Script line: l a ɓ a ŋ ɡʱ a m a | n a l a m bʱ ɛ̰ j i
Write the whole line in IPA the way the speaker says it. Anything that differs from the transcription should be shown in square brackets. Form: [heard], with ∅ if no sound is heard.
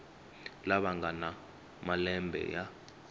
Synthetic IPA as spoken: l a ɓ a ŋ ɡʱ a [n] a | [m] a l [ɛ] m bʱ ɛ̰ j [a]